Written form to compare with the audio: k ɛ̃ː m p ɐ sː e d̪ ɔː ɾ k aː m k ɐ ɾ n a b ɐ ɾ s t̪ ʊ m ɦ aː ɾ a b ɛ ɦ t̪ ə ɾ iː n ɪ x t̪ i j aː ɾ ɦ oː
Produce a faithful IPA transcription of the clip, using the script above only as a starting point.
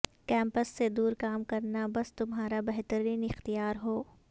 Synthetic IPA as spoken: k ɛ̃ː m p ə sː e d̪ uː ɾ k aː m k ɐ ɾ n a b ɐ s t̪ ʊ m ɦ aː ɾ a b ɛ ɦ t̪ ə ɾ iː n ɪ x t̪ i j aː ɾ ɦ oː